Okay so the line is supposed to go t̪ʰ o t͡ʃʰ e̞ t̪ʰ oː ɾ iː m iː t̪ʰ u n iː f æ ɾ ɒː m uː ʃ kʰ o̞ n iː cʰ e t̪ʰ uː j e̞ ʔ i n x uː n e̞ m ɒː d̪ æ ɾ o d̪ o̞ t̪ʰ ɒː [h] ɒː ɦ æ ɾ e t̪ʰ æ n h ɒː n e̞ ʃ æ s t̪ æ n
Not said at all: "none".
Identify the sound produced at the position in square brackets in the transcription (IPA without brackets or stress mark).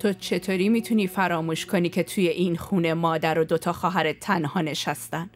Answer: x